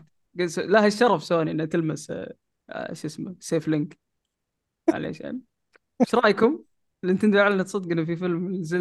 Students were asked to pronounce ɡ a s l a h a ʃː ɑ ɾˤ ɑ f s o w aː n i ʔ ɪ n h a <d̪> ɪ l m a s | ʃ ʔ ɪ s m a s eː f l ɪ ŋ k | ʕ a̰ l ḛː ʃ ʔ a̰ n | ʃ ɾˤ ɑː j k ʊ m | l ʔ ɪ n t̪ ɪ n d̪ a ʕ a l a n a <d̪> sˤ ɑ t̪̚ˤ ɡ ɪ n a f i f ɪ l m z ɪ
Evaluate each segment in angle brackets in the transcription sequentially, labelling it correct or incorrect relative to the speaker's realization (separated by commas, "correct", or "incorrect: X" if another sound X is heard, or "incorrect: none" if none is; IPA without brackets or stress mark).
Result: incorrect: t̪, incorrect: t̪